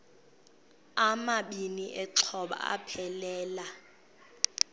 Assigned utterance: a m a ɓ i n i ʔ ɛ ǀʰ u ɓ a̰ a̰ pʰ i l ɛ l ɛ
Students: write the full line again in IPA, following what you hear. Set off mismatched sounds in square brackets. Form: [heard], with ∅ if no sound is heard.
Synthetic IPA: a m a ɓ i n i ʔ ɛ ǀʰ [ɔ] ɓ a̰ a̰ pʰ [ɛ] l [ɛː] l [a]

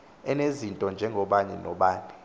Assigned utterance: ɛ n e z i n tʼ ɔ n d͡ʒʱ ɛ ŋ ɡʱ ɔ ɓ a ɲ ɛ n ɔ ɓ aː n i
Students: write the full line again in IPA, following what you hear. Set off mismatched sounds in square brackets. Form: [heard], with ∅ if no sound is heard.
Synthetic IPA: ɛ n e z i n tʼ ɔ n d͡ʒʱ ɛ ŋ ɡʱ ɔ ɓ a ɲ ɛ n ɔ ɓ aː n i

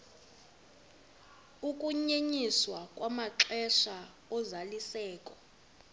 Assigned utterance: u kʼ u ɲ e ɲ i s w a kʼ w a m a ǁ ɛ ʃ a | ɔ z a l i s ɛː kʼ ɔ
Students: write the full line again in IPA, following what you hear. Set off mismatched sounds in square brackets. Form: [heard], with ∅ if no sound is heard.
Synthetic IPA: u kʼ u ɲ e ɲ i s w a kʼ w a m a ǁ ɛ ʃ a | ɔ z a l i s ɛː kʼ ɔ

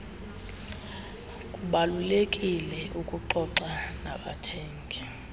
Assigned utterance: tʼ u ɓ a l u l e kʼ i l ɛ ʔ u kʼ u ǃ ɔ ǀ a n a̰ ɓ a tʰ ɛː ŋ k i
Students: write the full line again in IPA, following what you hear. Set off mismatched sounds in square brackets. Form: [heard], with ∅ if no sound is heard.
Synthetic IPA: [kʼ] u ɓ a l u l e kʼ i l ɛ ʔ u kʼ u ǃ ɔ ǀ a n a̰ ɓ a tʰ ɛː ŋ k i

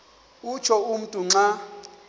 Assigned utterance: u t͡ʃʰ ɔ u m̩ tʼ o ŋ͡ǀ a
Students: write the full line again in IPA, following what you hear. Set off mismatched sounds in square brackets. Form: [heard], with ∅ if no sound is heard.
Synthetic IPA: u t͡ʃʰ ɔ u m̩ tʼ [u] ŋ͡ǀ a

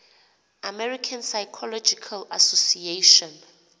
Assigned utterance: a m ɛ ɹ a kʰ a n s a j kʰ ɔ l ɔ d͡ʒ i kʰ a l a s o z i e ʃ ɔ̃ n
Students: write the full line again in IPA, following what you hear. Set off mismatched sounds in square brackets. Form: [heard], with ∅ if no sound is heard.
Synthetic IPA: a m ɛ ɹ [i] kʰ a n s a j kʰ ɔ l ɔ d͡ʒ i kʰ a l a s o [s] i e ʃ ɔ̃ n

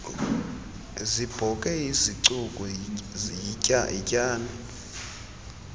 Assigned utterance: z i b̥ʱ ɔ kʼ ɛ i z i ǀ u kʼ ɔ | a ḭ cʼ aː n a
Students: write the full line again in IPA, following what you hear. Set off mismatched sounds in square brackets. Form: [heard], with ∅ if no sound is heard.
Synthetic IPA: z i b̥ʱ ɔ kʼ ɛ i z i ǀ u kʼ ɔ | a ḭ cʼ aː n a

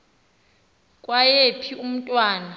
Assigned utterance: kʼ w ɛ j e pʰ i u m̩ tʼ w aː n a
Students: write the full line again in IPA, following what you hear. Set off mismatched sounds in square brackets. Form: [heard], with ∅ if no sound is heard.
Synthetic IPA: kʼ w [a] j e pʰ i u m̩ tʼ w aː n a

